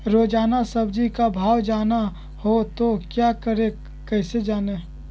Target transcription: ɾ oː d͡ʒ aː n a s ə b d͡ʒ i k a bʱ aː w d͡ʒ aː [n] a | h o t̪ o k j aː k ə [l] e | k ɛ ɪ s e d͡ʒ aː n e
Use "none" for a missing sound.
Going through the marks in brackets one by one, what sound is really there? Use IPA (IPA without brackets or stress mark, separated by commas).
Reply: n, ɾ